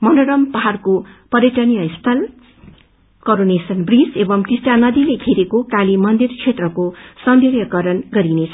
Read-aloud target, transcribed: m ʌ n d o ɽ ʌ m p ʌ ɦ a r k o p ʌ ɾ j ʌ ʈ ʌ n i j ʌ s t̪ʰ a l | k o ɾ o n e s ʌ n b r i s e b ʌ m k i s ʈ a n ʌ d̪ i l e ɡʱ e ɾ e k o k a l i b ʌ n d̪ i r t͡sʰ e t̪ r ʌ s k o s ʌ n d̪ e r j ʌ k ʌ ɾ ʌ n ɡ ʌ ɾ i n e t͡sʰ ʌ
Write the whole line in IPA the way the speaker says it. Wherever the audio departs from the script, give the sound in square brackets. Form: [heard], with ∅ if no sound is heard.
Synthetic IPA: m ʌ n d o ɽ ʌ m p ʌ ɦ a r k o p ʌ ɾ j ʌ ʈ ʌ n i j ʌ s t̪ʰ [ʌ] l | k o ɾ o n e s ʌ n b r i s e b ʌ m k i s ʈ a n ʌ d̪ i l e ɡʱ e ɾ e k o k a l i [m] ʌ n d̪ i r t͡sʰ e t̪ r ʌ [∅] k o s ʌ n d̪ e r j ʌ k ʌ ɾ ʌ n ɡ ʌ ɾ i n e t͡sʰ ʌ